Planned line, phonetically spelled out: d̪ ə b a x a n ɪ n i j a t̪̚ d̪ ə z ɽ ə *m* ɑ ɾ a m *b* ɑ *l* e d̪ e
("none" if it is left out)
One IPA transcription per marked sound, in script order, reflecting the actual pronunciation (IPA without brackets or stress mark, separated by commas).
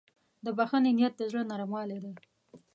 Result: n, w, l